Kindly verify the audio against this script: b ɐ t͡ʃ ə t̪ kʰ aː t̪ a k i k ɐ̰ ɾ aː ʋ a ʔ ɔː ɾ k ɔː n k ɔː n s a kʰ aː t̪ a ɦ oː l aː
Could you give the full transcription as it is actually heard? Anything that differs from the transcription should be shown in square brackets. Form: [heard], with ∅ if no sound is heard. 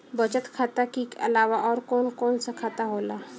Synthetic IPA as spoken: b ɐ t͡ʃ ə t̪ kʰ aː t̪ a k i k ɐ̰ [l] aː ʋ a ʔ ɔː ɾ k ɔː n k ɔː n s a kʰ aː t̪ a ɦ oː l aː